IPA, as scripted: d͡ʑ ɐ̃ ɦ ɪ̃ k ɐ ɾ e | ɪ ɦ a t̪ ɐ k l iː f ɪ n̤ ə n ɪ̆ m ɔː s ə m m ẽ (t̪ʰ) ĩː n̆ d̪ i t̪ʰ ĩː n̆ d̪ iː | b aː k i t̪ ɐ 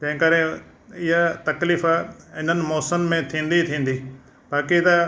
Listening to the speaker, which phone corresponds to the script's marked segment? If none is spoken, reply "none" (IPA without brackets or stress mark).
t̪ʰ